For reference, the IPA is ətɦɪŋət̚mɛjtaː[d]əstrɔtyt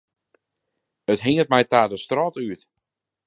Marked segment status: correct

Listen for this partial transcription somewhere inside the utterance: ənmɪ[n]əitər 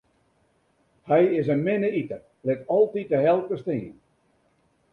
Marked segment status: correct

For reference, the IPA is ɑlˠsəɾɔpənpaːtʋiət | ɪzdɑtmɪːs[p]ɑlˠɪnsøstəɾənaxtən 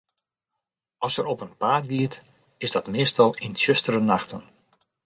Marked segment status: incorrect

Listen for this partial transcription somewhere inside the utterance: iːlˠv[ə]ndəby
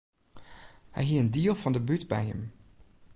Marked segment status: incorrect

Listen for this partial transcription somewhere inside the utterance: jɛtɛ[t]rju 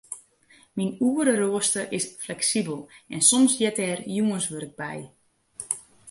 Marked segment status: incorrect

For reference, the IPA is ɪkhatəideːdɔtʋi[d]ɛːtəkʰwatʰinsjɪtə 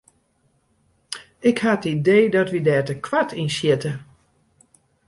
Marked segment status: correct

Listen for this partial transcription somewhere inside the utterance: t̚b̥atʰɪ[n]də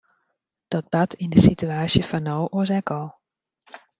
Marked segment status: correct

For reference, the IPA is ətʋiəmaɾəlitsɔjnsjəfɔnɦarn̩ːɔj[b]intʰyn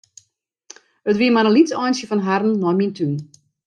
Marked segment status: incorrect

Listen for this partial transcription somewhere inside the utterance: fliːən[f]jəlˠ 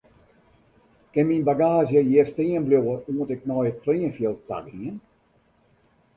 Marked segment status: correct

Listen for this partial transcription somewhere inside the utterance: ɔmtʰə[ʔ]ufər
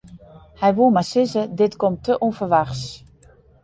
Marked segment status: correct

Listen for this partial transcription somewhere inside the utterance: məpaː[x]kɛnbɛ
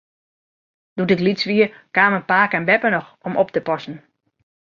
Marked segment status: incorrect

